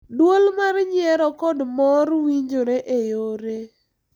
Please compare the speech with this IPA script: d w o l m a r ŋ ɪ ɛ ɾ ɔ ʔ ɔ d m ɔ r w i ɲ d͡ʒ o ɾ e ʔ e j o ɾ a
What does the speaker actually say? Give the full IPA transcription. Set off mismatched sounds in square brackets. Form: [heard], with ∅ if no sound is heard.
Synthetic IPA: d w o l m a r [ɲ] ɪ ɛ ɾ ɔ [k] ɔ d m ɔ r w i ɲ d͡ʒ o ɾ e ʔ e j o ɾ [e]